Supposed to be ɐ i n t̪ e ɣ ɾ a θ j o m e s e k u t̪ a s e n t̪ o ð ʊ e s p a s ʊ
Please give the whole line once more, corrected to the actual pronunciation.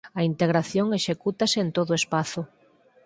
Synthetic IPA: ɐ i n t̪ e ɣ ɾ a θ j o ŋ e ʃ e k u t̪ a s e n t̪ o ð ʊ e s p a θ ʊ